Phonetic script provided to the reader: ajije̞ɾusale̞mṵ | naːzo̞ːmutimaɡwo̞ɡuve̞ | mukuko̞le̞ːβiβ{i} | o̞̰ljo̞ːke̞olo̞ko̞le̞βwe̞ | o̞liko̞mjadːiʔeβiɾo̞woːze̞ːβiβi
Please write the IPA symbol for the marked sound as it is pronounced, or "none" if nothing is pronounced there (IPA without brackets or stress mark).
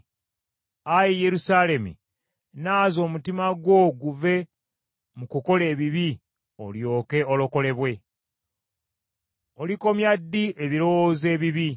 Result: i